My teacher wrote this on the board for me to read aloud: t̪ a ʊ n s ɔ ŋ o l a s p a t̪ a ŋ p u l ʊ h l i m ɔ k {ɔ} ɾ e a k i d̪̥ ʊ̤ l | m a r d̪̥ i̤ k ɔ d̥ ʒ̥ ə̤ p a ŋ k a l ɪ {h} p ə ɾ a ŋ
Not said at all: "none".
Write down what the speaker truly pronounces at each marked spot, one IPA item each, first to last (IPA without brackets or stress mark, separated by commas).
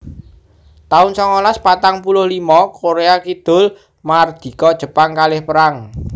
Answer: o, h